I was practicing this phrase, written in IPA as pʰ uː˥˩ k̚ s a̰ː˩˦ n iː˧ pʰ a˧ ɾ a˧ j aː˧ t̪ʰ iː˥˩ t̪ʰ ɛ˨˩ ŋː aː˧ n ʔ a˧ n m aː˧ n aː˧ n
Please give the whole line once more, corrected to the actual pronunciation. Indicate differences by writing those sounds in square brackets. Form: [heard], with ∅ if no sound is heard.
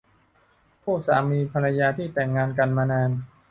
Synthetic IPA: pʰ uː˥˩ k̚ s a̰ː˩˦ [m] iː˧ pʰ a˧ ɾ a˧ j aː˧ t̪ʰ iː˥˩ [t̪] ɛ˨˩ ŋː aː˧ n [k] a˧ n m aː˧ n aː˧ n